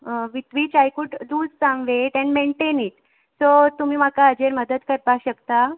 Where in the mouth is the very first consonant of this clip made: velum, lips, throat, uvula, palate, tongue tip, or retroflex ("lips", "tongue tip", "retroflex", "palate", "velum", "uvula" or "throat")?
lips